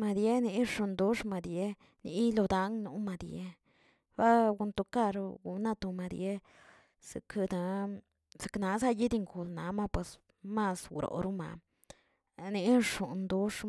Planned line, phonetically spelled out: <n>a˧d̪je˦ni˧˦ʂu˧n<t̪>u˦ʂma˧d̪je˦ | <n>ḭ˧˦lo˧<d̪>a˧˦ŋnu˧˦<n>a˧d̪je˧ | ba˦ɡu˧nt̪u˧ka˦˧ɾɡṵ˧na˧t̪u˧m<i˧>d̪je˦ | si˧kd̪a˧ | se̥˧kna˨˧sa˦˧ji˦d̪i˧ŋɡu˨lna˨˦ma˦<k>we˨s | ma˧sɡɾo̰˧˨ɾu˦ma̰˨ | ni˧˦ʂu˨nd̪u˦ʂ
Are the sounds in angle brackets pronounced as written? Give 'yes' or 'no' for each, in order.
no, no, yes, yes, no, no, no

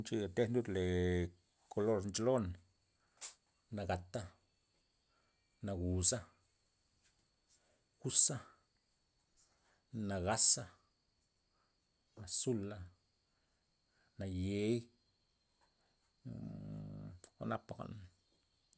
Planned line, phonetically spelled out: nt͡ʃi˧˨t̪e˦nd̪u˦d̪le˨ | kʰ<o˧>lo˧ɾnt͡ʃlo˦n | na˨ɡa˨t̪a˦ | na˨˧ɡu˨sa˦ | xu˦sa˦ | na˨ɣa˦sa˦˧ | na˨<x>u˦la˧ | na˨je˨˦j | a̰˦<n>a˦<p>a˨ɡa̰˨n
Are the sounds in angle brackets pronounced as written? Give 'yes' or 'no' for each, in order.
yes, no, yes, yes

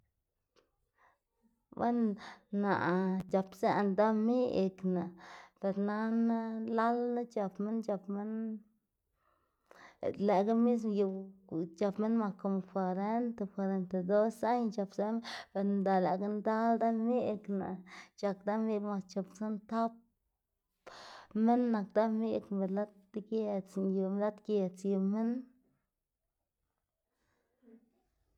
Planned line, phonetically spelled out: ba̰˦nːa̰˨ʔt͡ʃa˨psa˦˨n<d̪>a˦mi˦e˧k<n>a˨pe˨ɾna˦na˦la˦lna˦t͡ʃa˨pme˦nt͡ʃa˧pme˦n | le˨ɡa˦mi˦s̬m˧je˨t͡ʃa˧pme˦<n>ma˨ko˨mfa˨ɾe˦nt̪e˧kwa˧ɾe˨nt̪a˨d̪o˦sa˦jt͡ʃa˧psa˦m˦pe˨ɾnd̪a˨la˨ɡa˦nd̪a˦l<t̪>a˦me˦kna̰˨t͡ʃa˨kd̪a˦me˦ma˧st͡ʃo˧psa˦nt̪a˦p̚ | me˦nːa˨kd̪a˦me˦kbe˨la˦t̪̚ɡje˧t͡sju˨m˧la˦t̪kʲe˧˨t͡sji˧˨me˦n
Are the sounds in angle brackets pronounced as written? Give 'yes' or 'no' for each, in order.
yes, yes, yes, no

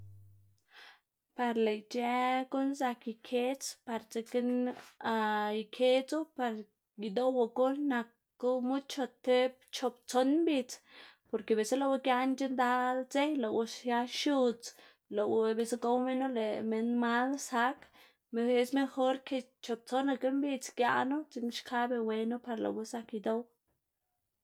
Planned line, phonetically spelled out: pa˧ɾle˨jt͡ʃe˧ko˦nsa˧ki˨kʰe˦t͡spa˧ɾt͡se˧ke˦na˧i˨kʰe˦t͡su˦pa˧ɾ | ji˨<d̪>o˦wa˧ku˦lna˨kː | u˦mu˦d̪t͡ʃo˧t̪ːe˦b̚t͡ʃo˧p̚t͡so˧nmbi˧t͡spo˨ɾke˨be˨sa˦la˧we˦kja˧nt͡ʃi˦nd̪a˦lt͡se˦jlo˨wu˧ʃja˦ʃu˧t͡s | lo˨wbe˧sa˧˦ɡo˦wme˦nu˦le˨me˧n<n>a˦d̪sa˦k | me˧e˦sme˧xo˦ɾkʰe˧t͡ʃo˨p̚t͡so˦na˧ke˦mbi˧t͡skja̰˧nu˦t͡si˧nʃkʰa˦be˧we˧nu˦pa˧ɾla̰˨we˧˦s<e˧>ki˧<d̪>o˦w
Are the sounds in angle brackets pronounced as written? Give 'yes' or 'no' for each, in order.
yes, no, no, yes

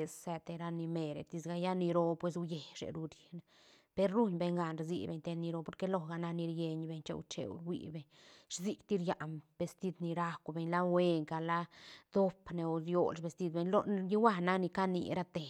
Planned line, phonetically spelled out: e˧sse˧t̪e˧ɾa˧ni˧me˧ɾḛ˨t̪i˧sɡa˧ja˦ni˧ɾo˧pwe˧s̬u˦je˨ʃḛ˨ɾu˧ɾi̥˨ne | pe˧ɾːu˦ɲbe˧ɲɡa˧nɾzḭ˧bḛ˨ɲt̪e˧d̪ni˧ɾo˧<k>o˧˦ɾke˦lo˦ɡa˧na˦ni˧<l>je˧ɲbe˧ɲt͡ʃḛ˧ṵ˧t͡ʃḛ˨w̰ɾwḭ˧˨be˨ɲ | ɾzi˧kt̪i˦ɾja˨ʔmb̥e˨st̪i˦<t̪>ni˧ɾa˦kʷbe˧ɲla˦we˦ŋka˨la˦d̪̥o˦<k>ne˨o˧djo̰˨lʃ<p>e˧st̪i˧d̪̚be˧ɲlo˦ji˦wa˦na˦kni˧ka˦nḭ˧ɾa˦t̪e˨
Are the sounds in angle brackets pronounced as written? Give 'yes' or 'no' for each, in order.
no, no, no, no, no

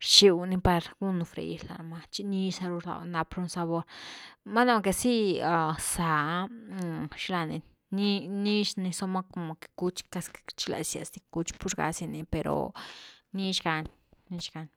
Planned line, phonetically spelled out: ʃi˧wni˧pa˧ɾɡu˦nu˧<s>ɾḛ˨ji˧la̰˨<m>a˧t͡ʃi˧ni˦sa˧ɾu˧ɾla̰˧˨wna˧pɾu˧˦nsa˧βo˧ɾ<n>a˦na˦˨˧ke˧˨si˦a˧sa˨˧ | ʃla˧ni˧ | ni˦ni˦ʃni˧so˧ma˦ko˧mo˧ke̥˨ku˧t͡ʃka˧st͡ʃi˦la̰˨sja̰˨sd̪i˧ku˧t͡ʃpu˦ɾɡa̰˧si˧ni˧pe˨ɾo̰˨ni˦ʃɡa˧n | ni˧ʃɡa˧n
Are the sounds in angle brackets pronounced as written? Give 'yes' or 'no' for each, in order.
no, yes, no

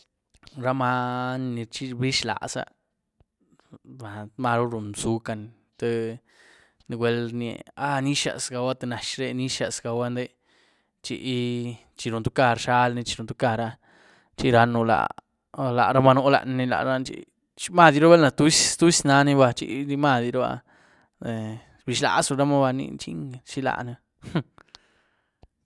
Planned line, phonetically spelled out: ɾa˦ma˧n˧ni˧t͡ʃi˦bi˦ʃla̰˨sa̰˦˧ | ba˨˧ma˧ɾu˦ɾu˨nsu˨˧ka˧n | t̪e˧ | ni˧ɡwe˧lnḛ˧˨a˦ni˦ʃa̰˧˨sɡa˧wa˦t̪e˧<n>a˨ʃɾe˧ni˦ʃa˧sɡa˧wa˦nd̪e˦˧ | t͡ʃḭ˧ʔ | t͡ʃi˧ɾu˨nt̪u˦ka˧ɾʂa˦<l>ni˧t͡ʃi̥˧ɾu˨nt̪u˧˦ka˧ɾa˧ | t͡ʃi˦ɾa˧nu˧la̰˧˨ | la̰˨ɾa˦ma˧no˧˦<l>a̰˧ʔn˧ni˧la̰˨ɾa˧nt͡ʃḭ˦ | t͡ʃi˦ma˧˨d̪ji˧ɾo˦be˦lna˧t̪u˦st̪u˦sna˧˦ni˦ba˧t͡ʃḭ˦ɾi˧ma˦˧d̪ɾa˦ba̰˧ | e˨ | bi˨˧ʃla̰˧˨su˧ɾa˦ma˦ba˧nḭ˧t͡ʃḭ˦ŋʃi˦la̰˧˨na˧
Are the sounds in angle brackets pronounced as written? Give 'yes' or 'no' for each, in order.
yes, yes, yes

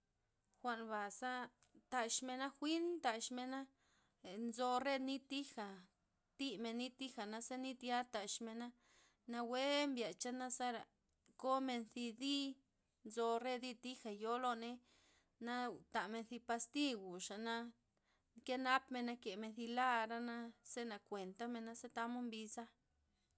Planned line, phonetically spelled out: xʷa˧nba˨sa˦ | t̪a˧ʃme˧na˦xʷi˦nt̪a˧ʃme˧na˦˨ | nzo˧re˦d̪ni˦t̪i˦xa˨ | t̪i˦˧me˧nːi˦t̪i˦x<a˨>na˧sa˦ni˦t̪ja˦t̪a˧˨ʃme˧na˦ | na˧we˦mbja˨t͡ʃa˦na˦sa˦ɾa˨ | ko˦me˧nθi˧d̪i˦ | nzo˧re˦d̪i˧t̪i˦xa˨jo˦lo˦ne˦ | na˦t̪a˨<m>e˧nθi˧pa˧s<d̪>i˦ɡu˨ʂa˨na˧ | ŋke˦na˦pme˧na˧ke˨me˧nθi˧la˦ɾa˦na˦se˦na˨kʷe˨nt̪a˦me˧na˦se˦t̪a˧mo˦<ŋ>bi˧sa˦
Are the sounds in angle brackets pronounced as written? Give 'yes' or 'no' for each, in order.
yes, yes, no, no

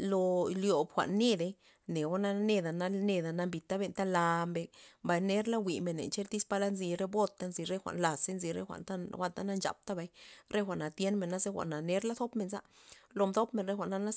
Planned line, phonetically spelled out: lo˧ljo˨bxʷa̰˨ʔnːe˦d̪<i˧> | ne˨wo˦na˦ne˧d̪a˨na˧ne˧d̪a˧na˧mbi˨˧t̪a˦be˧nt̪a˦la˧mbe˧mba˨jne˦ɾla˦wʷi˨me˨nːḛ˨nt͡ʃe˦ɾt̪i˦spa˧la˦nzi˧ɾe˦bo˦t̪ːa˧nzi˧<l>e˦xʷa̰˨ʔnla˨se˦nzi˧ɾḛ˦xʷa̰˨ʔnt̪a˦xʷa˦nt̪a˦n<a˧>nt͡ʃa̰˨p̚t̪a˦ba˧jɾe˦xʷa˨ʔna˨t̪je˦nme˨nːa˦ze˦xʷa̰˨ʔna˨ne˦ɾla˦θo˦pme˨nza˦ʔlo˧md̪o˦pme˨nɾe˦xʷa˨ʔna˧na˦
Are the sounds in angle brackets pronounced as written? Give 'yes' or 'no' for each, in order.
no, no, yes

